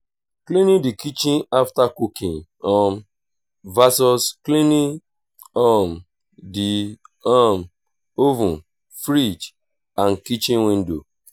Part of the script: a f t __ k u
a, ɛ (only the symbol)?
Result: a